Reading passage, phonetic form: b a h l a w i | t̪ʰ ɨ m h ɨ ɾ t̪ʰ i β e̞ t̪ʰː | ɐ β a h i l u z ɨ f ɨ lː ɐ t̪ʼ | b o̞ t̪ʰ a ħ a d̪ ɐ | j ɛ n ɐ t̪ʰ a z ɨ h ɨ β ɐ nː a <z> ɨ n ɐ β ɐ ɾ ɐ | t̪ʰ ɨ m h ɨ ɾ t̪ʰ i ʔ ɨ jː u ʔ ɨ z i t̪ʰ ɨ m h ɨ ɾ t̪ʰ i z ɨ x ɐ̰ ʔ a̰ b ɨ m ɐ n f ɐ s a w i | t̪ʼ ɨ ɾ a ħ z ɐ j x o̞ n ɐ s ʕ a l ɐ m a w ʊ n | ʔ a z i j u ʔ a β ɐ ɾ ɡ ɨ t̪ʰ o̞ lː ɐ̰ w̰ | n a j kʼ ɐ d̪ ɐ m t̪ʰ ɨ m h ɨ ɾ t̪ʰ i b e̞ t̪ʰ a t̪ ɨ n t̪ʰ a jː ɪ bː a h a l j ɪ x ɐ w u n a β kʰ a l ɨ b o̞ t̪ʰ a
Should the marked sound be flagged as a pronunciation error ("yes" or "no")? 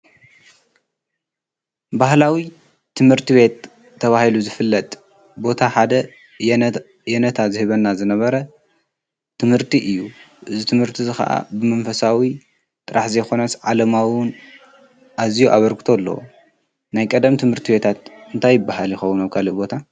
no